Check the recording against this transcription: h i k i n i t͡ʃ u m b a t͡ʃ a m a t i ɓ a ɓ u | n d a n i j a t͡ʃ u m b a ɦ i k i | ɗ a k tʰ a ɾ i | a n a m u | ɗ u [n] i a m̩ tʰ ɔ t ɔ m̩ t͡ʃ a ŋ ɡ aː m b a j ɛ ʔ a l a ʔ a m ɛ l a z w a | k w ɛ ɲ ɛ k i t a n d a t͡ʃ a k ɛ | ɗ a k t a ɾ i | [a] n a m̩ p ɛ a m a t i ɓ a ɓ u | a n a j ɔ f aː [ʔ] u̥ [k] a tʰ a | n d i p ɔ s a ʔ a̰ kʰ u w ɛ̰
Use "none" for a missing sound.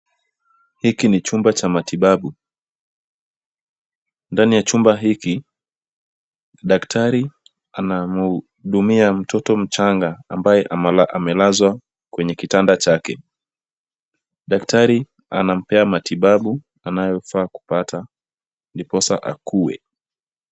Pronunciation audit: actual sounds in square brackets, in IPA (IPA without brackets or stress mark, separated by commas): m, a, k, p